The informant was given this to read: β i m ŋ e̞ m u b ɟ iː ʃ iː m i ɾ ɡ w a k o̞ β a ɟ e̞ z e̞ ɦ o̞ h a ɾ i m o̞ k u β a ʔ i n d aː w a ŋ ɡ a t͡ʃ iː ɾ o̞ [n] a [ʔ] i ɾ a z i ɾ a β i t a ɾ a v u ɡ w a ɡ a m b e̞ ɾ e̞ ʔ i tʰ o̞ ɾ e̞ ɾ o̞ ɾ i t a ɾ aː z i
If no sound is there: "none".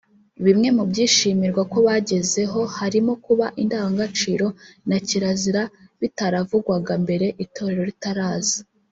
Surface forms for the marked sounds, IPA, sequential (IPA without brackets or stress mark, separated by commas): n, c